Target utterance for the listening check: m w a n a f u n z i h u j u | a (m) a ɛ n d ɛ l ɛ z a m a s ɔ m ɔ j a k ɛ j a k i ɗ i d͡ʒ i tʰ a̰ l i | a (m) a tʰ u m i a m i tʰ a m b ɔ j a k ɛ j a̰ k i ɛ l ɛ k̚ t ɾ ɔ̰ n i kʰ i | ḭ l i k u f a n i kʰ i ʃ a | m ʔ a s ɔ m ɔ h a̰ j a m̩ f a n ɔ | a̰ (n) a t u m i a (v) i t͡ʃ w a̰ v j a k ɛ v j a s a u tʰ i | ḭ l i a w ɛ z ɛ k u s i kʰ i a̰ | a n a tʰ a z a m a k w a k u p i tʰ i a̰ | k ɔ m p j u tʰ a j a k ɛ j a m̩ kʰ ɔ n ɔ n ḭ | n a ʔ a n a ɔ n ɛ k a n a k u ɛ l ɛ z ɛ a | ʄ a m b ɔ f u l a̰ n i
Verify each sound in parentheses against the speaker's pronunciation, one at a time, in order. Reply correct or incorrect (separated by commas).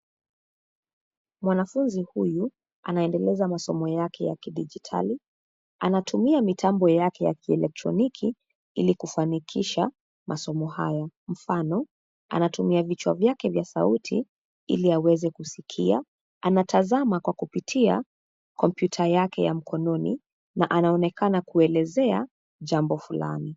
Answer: incorrect, incorrect, correct, correct